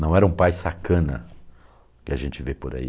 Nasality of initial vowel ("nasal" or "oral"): nasal